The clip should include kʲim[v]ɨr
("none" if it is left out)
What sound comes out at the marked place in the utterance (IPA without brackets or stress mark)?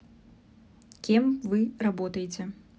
v